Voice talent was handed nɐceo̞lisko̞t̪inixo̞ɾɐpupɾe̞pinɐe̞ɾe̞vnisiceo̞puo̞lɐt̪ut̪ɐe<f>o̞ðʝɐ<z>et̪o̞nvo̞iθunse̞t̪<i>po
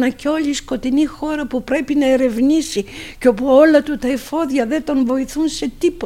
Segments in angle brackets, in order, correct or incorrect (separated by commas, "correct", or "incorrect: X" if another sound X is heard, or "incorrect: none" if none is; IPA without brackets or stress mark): correct, incorrect: ð, correct